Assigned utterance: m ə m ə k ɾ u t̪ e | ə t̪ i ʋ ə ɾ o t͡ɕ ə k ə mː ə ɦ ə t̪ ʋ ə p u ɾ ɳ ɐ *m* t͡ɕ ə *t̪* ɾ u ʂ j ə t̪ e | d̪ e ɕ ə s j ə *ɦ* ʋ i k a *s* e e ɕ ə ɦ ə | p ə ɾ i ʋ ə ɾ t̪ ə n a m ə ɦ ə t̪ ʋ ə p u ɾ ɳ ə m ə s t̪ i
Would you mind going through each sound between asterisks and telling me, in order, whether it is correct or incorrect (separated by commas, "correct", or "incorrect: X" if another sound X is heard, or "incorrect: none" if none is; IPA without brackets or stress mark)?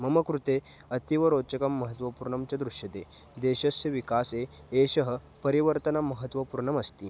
correct, incorrect: d̪, incorrect: none, correct